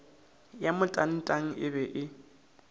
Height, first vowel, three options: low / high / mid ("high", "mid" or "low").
low